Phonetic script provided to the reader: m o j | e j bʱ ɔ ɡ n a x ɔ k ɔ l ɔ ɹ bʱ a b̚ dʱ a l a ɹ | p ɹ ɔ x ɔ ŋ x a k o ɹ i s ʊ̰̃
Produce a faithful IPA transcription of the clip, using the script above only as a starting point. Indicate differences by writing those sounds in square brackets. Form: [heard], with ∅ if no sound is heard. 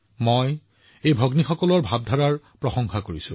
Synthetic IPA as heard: m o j | e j bʱ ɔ ɡ n [i] x ɔ k ɔ l ɔ ɹ bʱ a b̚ dʱ a [ɹ] a ɹ | p ɹ ɔ x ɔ ŋ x a k o ɹ i s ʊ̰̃